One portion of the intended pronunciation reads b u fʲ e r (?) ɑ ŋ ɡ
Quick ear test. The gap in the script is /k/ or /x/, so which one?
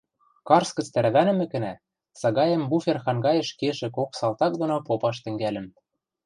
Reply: x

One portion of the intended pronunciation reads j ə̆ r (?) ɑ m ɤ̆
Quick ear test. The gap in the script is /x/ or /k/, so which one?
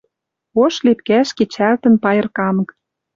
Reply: k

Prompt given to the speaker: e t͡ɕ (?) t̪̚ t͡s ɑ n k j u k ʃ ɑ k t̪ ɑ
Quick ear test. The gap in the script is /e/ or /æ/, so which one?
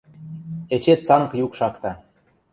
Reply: e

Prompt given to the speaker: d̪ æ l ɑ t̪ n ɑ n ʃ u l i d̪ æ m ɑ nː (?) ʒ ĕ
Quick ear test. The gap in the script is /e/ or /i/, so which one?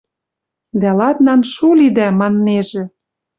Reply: e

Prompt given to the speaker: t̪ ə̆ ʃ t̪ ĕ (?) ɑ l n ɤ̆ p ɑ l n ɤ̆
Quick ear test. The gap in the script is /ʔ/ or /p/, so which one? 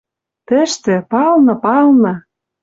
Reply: p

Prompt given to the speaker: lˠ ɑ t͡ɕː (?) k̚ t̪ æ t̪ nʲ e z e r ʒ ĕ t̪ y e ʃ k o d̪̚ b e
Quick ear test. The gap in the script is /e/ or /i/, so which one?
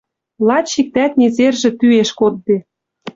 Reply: i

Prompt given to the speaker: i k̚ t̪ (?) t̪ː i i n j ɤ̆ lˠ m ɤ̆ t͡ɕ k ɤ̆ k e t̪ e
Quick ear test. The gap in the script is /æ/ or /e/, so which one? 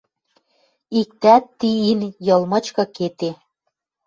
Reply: æ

